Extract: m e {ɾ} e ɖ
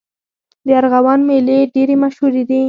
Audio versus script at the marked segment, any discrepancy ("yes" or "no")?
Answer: yes